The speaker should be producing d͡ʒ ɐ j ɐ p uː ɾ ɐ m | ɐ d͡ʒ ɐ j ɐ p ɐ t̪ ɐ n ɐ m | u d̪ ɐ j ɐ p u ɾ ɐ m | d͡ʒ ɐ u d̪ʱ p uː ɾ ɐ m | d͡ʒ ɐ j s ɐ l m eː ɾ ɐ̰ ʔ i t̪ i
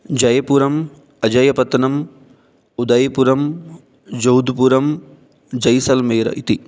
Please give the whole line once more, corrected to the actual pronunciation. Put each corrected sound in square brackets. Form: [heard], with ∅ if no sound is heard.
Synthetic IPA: d͡ʒ ɐ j ɐ p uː ɾ ɐ m | ɐ d͡ʒ ɐ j ɐ p ɐ t̪ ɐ n ɐ m | u d̪ ɐ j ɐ p u ɾ ɐ m | d͡ʒ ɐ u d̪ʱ p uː ɾ ɐ m | d͡ʒ ɐ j s ɐ l m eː ɾ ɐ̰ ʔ i t̪ i

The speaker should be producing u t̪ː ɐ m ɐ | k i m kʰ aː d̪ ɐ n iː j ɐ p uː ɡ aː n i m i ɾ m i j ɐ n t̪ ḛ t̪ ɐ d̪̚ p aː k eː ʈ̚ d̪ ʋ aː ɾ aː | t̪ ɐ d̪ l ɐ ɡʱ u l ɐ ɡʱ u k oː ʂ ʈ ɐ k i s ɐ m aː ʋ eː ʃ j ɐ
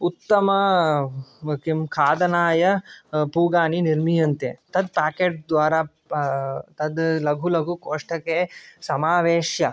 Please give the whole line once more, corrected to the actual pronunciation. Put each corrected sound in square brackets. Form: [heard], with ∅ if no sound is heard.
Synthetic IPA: u t̪ː ɐ m ɐ | k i m kʰ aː d̪ ɐ n [aː] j ɐ p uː ɡ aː n i [n] i ɾ m i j ɐ n t̪ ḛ t̪ ɐ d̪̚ p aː k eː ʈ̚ d̪ ʋ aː ɾ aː | t̪ ɐ d̪ l ɐ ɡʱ u l ɐ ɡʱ u k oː ʂ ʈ ɐ k [e] s ɐ m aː ʋ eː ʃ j ɐ

